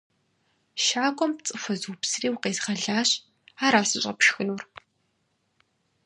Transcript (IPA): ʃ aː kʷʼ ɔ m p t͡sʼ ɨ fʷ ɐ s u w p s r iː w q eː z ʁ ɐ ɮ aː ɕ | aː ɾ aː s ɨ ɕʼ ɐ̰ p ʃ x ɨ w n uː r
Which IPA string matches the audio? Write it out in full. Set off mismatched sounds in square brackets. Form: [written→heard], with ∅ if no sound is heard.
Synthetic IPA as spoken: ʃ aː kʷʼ ɔ m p t͡sʼ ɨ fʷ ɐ [s→z] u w p s r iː w q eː z ʁ ɐ ɮ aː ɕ | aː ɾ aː s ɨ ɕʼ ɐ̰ p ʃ x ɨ [w→∅] n uː r